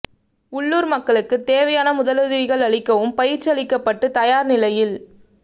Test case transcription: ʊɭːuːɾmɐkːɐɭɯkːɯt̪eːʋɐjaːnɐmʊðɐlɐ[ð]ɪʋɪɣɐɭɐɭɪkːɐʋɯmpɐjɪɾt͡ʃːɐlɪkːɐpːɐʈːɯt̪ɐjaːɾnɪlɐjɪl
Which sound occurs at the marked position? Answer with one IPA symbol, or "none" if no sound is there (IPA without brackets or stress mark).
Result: ð